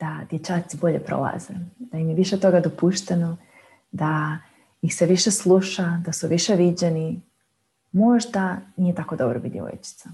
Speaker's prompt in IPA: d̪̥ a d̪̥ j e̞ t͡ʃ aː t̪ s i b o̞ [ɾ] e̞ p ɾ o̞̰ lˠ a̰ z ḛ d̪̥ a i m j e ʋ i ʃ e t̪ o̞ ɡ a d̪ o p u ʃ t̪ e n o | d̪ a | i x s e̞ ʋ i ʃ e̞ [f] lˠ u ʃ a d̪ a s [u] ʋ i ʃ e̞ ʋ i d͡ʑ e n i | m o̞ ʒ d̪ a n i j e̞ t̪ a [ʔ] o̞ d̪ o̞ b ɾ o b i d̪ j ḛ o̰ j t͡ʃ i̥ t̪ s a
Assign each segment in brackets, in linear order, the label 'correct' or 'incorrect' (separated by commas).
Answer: incorrect, incorrect, correct, incorrect